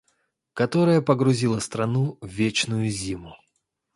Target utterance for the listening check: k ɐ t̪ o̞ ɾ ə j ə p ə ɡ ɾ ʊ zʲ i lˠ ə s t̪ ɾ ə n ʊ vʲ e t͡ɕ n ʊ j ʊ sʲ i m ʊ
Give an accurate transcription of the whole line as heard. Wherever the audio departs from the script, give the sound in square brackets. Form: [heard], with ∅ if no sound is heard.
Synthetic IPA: k ɐ t̪ o̞ ɾ ə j ə p ə ɡ ɾ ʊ zʲ i lˠ ə s t̪ ɾ [ɐ] n [u] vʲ e t͡ɕ n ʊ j ʊ [zʲ] i m ʊ